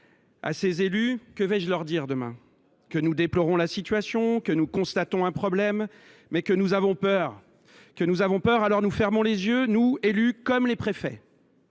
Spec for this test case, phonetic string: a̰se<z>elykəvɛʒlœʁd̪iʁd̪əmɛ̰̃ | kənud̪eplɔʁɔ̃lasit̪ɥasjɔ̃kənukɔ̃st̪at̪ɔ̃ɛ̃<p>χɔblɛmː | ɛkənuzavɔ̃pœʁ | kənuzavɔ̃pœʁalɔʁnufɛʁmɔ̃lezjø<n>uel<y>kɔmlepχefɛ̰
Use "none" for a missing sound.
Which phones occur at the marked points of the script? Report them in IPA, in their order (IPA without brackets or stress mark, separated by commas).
z, p, n, y